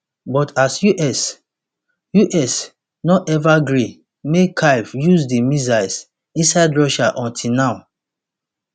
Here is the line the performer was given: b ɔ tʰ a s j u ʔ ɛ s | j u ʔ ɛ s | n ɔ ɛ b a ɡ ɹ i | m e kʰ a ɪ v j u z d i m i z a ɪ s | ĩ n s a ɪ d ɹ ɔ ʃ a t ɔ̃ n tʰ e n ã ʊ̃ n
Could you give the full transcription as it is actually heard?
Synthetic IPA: b ɔ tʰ a s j u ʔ ɛ s | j u ʔ ɛ s | n ɔ ɛ v a ɡ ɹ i | m e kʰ a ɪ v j u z d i m i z a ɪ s | ĩ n s a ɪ d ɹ ɔ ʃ a ʔ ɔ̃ n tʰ i n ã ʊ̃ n